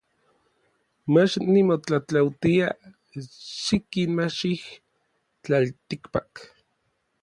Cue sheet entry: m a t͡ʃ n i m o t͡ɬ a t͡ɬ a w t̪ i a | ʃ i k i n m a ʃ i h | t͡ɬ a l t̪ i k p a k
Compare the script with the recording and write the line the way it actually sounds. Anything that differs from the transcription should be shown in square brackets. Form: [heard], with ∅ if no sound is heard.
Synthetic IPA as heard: m a t͡ʃ n i m o t͡ɬ a t͡ɬ a w t̪ i a | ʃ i k i n m a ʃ i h | t͡ɬ a l t̪ i k p a k